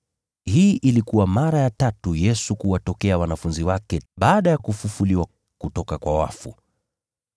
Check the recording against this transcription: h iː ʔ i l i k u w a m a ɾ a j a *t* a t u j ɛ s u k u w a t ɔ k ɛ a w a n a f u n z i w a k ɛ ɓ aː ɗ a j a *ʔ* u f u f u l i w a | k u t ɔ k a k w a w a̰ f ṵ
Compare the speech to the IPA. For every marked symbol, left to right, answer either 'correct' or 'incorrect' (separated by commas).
correct, incorrect